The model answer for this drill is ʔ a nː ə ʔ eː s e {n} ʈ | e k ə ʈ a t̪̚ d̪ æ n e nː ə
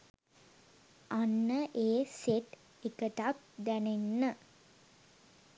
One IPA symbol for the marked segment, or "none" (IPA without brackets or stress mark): none